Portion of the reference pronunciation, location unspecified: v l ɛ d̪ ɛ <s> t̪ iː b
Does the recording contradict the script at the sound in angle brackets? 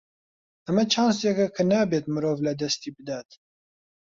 no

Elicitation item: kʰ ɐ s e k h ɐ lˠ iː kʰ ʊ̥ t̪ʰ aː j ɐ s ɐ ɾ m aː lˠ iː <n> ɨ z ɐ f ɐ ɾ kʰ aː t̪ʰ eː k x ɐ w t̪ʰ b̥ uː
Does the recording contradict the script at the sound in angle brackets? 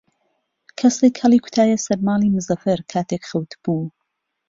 yes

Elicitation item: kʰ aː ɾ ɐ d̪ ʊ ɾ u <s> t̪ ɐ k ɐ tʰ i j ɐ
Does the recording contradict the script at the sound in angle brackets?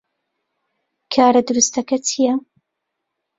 no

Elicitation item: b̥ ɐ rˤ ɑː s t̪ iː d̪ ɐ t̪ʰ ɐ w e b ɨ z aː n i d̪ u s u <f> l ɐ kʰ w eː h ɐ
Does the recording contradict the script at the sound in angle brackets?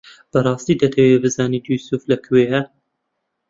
no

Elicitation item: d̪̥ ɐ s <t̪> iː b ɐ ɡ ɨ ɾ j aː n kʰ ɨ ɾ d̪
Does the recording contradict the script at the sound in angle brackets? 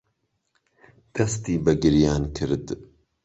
no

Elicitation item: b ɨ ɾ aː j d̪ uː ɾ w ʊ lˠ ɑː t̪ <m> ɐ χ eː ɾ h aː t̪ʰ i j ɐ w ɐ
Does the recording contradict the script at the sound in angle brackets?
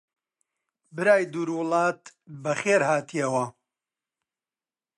yes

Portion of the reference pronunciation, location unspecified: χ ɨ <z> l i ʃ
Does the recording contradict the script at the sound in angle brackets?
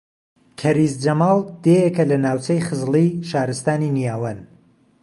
no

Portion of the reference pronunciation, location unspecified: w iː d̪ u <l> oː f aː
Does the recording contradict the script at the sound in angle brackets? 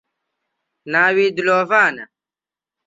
no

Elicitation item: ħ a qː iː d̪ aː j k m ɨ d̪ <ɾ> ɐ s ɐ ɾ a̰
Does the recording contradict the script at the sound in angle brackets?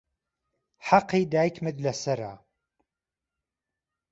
yes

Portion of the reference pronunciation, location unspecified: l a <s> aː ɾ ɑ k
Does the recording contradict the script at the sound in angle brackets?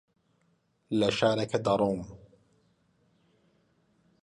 yes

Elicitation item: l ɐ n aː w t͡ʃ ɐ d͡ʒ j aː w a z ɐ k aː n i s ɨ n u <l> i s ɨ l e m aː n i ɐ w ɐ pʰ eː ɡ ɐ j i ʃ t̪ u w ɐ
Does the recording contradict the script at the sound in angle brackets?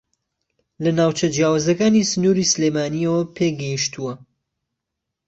yes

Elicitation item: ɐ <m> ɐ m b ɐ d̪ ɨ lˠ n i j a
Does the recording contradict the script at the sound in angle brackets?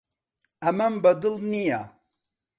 no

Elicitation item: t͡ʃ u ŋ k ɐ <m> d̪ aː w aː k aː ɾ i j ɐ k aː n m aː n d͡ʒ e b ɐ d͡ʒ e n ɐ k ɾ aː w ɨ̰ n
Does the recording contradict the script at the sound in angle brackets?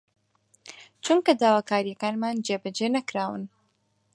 yes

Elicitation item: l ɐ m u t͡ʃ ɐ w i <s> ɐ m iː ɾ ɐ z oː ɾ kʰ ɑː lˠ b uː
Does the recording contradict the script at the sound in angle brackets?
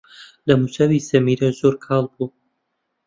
no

